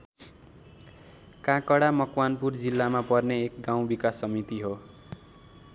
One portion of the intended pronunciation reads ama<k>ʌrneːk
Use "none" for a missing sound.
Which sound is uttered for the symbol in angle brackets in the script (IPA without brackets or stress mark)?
p